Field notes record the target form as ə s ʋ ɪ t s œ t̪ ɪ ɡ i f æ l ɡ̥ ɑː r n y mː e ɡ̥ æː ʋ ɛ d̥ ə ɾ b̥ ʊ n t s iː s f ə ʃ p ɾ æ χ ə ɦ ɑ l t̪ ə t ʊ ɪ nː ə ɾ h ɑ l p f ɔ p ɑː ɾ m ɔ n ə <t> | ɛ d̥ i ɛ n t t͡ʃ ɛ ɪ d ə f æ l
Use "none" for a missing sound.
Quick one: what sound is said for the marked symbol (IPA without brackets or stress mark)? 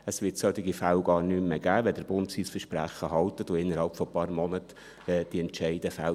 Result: t